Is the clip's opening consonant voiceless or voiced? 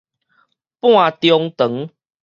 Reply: voiceless